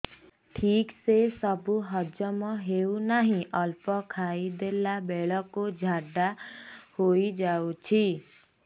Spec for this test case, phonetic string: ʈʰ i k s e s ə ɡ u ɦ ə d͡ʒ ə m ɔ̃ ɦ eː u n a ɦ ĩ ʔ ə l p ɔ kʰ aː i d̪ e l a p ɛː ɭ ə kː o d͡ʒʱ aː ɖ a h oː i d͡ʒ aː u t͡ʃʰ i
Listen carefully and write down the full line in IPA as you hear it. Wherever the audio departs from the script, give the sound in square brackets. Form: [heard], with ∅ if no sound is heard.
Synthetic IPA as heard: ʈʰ [iː] k s e s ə [b] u ɦ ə d͡ʒ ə m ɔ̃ ɦ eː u n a ɦ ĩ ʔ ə l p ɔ kʰ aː i d̪ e l a [b] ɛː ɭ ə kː o d͡ʒʱ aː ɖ a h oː i d͡ʒ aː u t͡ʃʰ i